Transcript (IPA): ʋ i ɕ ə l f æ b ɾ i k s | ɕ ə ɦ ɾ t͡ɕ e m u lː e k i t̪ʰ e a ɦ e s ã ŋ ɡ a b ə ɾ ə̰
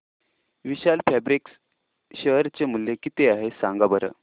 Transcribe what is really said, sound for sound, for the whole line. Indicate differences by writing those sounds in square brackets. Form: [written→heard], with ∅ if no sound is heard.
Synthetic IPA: ʋ i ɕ [ə→a] l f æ b ɾ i k s | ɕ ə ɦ ɾ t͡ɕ e m u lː e k i [t̪ʰ→t̪] e a ɦ e s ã ŋ ɡ a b ə ɾ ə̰